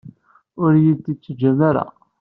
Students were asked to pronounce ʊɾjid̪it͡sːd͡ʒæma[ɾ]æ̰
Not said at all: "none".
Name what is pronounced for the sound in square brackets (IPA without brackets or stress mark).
ɾ